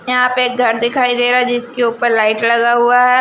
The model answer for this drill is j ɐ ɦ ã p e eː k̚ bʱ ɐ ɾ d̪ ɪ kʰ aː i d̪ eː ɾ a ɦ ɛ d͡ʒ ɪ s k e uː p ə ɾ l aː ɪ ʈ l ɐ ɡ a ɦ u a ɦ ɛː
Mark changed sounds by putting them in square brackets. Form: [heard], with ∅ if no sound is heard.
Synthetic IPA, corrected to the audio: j ɐ ɦ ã p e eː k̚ [ɡʱ] ɐ ɾ d̪ ɪ kʰ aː i d̪ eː ɾ a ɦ ɛ d͡ʒ ɪ s k e uː p ə ɾ l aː ɪ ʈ l ɐ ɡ a ɦ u a ɦ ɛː